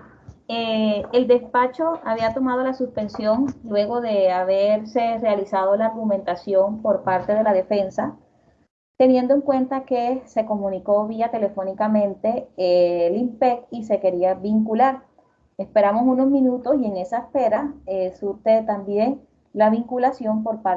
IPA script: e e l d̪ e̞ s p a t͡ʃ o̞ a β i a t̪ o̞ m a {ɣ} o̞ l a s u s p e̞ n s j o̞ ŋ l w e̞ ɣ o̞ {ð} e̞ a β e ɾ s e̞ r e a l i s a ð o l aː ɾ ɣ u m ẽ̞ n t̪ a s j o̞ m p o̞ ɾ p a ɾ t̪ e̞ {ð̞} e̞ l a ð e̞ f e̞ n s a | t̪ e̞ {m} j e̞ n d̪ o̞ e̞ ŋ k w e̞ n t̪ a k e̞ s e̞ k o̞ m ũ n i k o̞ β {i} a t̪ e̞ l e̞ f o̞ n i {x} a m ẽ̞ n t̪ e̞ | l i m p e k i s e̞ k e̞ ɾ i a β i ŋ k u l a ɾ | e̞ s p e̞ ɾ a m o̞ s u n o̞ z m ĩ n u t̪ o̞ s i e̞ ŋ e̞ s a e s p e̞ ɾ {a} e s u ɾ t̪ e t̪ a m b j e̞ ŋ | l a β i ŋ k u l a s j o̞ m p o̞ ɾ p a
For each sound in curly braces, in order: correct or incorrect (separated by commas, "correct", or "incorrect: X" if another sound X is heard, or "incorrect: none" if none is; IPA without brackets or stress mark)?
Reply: incorrect: ð, correct, correct, incorrect: n, correct, incorrect: k, correct